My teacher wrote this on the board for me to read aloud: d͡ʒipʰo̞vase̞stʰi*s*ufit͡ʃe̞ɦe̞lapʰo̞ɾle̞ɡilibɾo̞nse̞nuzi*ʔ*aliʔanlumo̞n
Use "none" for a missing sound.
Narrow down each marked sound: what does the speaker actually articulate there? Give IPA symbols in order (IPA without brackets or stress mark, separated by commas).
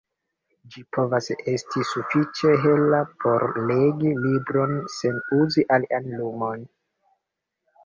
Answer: s, ʔ